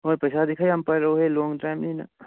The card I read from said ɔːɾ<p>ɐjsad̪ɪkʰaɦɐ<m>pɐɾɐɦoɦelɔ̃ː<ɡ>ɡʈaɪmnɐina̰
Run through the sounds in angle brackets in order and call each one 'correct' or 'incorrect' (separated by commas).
correct, correct, incorrect